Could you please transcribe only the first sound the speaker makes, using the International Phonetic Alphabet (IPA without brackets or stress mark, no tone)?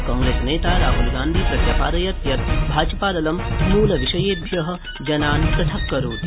k